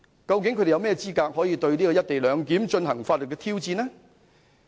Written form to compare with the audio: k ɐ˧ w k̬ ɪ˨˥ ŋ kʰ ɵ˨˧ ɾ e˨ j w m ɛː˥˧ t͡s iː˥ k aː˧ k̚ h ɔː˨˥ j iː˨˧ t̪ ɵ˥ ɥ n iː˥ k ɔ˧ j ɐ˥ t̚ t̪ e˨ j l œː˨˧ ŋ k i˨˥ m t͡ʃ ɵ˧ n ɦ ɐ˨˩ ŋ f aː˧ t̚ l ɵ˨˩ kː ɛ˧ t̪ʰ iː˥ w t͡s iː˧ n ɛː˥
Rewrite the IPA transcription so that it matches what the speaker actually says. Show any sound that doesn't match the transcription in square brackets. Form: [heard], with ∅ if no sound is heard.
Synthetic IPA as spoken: k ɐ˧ w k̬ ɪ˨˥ ŋ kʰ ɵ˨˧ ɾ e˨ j w m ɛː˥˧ t͡s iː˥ k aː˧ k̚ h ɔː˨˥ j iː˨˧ t̪ [ɵ˧] ɥ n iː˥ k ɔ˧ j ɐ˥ t̚ t̪ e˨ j l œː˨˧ ŋ k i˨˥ m t͡ʃ ɵ˧ n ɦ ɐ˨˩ ŋ f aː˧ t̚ l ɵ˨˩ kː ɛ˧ t̪ʰ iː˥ w t͡s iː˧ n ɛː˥